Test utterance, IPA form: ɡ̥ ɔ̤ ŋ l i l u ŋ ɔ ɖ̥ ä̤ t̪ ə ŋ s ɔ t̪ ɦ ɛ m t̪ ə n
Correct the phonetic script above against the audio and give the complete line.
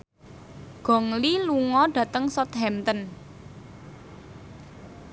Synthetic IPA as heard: ɡ̥ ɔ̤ ŋ l i l u ŋ ɔ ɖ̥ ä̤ t̪ ə ŋ s ɔ t̪ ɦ ɛ m t̪ ə n